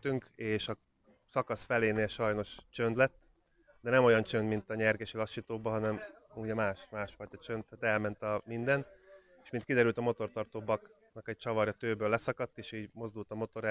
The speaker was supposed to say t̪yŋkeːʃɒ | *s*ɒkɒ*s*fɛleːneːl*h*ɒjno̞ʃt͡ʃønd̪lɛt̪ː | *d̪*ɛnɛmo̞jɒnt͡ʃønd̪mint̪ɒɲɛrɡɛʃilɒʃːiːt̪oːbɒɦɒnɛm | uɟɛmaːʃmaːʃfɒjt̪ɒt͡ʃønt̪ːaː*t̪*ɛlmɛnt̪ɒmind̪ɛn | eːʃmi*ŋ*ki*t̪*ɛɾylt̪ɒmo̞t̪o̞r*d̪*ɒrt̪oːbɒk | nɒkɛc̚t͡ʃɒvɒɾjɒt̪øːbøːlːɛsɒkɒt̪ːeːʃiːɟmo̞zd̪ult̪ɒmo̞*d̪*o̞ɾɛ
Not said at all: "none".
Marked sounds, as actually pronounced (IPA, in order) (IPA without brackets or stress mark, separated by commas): s, s, ʃ, d̪, t̪, n, d̪, t̪, t̪